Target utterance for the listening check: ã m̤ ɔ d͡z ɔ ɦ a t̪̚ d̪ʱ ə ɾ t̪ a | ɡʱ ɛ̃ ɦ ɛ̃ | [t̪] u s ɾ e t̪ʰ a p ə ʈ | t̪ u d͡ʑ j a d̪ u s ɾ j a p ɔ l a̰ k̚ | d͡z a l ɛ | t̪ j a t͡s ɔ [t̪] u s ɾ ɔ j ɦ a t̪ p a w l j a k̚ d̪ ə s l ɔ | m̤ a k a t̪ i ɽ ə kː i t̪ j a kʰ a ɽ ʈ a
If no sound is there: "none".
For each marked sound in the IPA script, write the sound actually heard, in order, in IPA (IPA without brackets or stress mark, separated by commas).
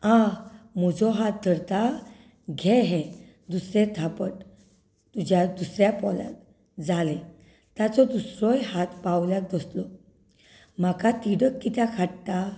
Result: d̪, d̪